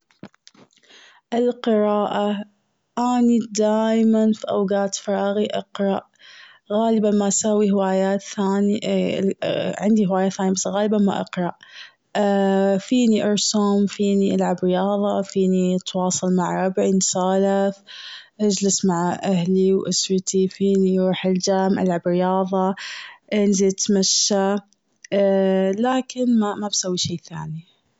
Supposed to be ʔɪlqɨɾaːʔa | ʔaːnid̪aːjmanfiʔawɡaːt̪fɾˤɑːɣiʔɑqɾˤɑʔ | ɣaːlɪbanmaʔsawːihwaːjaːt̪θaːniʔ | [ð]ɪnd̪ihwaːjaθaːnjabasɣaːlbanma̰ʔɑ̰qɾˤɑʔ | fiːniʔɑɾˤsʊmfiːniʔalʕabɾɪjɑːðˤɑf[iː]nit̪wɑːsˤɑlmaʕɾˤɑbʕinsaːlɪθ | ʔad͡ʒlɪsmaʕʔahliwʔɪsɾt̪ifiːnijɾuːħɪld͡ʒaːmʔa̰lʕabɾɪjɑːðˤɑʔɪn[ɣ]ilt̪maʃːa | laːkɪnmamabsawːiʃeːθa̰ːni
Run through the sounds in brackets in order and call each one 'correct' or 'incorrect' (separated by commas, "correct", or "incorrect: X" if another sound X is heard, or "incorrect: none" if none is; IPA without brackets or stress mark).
incorrect: ʕ, correct, incorrect: z